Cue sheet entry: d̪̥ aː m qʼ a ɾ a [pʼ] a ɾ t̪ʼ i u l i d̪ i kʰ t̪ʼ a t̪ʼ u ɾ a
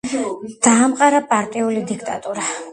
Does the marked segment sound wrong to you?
no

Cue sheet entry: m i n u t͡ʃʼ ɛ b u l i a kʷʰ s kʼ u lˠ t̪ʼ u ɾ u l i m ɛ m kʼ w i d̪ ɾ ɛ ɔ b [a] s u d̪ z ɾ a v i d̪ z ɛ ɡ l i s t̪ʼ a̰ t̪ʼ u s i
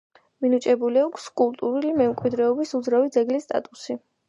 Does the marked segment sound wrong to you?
yes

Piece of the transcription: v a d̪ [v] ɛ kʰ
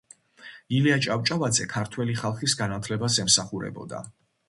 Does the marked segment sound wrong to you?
yes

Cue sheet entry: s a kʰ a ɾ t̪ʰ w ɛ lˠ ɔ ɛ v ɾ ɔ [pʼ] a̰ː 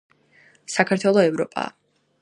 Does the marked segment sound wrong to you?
no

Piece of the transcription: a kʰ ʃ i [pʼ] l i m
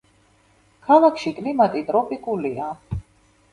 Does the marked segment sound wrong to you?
yes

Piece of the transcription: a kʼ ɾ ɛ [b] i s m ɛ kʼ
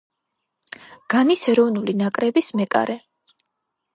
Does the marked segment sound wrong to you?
no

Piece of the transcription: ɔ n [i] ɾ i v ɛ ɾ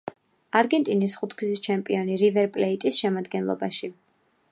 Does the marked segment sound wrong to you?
no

